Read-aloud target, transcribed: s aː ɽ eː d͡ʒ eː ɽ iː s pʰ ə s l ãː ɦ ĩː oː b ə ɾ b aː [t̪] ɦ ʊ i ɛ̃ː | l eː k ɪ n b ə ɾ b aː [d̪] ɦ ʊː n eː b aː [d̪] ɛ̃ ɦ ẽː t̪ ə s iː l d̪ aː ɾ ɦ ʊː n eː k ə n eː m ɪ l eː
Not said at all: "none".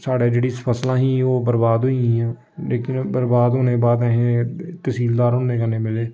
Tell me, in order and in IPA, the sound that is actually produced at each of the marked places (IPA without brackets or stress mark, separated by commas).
d̪, d̪, d̪